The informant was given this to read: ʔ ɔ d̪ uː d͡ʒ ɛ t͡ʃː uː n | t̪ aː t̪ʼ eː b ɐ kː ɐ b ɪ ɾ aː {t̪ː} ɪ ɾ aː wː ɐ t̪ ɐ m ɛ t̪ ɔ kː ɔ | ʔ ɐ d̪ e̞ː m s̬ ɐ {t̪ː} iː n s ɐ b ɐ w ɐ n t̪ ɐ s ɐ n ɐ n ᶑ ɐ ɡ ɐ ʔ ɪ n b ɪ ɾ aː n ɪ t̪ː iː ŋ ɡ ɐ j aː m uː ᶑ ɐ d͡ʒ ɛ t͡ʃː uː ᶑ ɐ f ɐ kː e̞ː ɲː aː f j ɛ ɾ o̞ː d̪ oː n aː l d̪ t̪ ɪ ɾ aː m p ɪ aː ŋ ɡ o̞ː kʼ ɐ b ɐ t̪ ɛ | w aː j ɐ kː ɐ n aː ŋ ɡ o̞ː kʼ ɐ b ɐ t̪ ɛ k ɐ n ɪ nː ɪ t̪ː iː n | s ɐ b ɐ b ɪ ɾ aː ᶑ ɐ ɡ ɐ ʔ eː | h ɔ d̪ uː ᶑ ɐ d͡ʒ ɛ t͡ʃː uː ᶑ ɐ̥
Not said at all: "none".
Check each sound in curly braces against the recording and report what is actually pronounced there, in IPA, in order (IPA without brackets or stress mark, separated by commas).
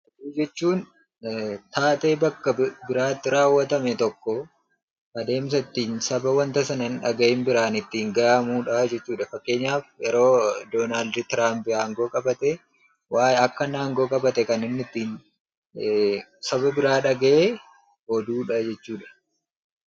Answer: t̪ː, t̪ː